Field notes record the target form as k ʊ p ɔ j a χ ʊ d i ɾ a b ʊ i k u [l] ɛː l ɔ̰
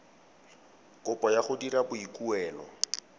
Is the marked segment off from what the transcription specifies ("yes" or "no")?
yes